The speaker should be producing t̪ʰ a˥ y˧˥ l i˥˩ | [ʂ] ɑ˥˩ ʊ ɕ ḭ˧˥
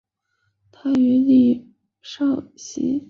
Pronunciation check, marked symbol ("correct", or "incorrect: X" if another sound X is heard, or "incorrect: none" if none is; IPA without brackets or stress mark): correct